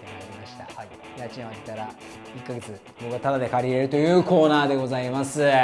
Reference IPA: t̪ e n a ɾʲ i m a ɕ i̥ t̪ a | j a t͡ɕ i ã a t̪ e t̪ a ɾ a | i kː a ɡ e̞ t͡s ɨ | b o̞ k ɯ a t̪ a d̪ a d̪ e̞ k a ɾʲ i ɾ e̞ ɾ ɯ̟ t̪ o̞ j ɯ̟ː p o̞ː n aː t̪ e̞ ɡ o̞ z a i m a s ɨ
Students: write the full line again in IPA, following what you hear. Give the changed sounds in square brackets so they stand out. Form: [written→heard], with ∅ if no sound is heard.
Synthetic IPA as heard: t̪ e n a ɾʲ i m a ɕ i̥ t̪ a | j a t͡ɕ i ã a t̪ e t̪ a ɾ a | i kː a ɡ e̞ t͡s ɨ | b o̞ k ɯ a t̪ a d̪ a d̪ e̞ k a ɾʲ i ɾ e̞ ɾ ɯ̟ t̪ o̞ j ɯ̟ː [p→k] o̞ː n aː [t̪→d̪] e̞ ɡ o̞ z a i m a s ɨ